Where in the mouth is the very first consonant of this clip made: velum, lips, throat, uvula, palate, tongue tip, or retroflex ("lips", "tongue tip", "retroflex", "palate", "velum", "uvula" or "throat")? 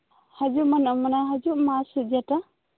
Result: throat